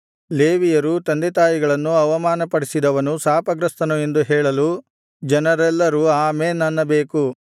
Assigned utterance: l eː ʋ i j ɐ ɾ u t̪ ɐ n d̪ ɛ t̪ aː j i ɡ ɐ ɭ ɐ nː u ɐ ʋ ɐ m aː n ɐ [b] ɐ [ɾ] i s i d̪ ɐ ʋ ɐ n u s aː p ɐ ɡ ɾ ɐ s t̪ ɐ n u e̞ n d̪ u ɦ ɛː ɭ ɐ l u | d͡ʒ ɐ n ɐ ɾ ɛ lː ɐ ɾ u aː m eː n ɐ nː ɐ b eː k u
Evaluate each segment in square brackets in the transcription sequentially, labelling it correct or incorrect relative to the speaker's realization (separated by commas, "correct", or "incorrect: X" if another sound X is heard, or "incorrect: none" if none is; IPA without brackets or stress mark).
incorrect: p, incorrect: ɽ